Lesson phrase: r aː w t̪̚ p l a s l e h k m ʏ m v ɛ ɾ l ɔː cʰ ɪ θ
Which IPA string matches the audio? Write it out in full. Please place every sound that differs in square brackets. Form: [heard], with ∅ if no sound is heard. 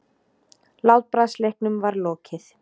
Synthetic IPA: [l] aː w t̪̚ p [ɾ] a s l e h k [n] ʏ m v [a] ɾ l ɔː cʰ ɪ θ